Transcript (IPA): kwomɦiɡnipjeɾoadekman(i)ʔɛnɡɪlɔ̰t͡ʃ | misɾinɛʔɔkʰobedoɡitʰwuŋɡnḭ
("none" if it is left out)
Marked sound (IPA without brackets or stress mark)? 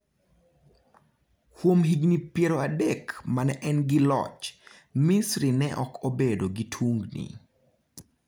ɛ